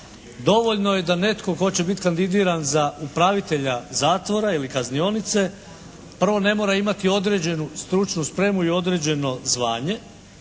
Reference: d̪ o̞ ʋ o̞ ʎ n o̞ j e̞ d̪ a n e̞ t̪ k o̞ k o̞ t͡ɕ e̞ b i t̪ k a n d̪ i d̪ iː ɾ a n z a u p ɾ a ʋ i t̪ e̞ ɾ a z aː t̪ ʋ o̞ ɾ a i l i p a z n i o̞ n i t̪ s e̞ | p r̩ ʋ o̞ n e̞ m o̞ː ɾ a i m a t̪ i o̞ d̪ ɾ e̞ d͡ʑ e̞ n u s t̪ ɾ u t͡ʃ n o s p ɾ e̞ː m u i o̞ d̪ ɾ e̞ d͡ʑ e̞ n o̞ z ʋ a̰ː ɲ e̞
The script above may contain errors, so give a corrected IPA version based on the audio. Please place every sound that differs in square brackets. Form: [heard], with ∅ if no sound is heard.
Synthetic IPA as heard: d̪ o̞ ʋ o̞ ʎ n o̞ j e̞ d̪ a n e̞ t̪ k o̞ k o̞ t͡ɕ e̞ b i t̪ k a n d̪ i d̪ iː ɾ a n z a u p ɾ a ʋ i t̪ e̞ [ʎ] a z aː t̪ ʋ o̞ ɾ a i l i [k] a z n i o̞ n i t̪ s e̞ | p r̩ ʋ o̞ n e̞ m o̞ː ɾ a i m a t̪ i o̞ d̪ ɾ e̞ d͡ʑ e̞ n u s t̪ ɾ u t͡ʃ n [u] s p ɾ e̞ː m u i o̞ d̪ ɾ e̞ d͡ʑ e̞ n o̞ z ʋ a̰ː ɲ e̞